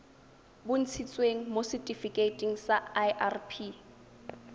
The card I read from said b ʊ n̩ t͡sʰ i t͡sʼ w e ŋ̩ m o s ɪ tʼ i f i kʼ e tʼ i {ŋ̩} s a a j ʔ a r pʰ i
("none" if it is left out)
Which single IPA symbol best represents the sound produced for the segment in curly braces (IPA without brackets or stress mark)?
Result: ŋ̩